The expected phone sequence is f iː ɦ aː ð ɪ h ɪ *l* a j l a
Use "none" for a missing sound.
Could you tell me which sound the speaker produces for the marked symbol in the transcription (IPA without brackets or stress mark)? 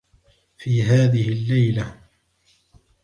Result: lː